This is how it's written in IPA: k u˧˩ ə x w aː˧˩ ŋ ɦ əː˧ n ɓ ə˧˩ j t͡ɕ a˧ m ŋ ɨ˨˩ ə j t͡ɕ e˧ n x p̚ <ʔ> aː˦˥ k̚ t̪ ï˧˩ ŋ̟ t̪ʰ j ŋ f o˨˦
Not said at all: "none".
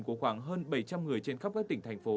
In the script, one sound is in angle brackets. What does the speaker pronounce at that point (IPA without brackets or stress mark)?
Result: k